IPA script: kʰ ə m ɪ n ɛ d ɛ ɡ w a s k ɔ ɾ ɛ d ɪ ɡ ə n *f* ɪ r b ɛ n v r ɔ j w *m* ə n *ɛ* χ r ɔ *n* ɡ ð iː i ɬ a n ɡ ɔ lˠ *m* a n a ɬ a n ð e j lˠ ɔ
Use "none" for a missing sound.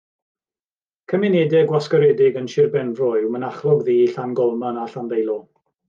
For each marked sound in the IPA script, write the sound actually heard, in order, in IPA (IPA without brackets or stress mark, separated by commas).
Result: ʃ, m, a, none, m